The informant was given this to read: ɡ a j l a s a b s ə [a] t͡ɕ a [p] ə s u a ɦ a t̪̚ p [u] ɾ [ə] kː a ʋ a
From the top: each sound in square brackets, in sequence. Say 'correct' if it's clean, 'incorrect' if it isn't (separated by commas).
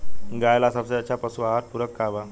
correct, correct, correct, correct